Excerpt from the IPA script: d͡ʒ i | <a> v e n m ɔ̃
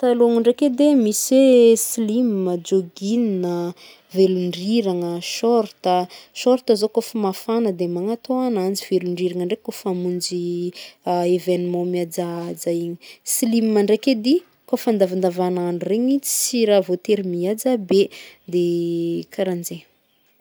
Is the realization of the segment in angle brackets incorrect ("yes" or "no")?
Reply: yes